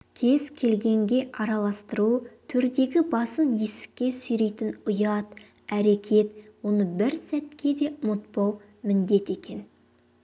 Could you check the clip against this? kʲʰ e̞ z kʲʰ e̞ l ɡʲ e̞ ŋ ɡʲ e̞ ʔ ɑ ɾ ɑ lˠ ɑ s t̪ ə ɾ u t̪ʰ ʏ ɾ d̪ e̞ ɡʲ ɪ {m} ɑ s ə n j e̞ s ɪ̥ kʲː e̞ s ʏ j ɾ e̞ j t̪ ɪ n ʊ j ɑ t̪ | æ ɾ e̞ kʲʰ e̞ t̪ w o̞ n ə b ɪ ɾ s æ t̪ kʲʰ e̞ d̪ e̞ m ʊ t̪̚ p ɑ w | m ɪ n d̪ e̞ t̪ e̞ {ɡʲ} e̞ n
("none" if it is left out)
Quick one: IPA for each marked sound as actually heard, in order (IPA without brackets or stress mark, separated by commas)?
b, kʲ